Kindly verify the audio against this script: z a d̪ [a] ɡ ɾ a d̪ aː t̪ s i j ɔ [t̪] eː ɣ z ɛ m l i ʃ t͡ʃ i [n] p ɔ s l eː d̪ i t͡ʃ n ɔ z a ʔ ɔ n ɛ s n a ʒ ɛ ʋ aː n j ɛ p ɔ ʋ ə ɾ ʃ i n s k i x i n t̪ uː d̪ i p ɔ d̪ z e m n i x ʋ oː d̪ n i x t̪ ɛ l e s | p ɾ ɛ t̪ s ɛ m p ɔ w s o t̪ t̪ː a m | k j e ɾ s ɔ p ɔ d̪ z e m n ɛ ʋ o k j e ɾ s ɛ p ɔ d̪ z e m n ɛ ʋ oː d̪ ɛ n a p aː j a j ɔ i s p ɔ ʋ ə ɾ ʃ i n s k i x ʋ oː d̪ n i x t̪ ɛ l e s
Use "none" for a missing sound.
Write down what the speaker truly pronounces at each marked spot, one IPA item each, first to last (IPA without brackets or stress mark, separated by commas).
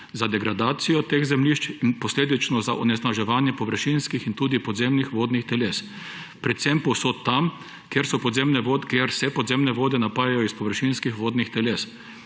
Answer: ɛ, t̪, n